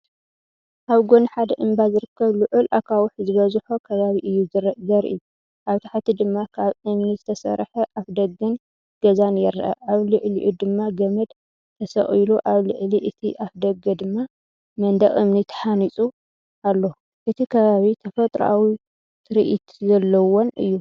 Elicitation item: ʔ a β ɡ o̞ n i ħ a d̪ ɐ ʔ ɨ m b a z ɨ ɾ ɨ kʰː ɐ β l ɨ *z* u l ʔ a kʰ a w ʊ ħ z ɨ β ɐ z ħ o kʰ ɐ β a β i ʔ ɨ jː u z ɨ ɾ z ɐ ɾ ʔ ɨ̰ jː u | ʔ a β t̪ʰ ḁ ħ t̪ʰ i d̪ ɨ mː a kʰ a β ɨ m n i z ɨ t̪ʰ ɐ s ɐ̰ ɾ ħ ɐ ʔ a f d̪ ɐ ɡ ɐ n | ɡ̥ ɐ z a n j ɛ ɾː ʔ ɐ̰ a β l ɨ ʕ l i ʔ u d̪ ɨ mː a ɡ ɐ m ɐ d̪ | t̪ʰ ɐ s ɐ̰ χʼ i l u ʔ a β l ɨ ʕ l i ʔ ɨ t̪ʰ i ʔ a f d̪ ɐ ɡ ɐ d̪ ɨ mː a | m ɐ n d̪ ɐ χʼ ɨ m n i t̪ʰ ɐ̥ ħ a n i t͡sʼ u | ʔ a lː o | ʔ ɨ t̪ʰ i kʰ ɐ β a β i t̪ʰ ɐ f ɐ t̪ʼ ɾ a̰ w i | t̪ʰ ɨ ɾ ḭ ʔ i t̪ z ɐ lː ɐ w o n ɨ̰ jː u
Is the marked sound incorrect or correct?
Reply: incorrect